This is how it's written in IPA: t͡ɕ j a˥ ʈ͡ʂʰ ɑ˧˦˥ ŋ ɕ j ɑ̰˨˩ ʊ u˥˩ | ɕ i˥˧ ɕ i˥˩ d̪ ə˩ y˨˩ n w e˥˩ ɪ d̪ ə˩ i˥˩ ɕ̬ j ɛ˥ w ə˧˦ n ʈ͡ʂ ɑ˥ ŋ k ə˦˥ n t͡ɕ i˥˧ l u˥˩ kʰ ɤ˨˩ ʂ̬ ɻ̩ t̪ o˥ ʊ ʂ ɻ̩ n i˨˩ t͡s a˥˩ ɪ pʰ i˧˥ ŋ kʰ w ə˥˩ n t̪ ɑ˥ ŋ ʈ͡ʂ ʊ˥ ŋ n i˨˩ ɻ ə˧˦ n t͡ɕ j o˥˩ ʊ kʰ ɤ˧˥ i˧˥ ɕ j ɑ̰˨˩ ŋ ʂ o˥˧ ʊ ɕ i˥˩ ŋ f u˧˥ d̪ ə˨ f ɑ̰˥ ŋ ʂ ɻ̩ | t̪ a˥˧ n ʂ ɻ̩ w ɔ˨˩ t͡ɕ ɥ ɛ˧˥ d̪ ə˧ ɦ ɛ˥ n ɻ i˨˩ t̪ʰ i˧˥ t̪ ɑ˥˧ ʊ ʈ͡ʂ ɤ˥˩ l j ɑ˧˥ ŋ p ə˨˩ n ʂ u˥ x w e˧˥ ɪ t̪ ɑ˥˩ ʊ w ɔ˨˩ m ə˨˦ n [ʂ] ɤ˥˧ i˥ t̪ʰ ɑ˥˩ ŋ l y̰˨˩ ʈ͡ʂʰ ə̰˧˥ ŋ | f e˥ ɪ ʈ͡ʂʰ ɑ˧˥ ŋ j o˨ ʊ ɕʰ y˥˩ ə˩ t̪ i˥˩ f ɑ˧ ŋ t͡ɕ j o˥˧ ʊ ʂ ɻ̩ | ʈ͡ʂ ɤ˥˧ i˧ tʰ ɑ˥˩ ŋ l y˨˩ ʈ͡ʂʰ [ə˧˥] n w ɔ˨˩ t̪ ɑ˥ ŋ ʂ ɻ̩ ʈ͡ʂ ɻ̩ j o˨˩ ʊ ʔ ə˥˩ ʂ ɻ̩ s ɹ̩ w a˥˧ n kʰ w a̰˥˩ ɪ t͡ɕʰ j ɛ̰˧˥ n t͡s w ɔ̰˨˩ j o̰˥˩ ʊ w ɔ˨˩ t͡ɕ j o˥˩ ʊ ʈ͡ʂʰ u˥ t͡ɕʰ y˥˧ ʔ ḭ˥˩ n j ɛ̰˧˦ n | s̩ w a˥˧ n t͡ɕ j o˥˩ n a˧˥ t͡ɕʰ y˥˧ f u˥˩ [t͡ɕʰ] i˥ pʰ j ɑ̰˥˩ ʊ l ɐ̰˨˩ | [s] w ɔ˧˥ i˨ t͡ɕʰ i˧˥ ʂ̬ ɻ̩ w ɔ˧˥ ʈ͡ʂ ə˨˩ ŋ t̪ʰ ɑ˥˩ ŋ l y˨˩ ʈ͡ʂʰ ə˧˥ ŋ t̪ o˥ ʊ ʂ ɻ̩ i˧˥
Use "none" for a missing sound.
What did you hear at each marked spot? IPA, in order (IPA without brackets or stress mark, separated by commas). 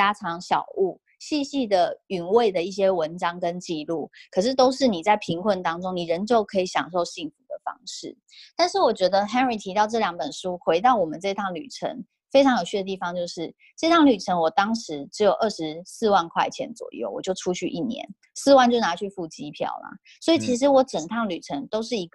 ʈ͡ʂ, ə˧˥, t͡ɕ, s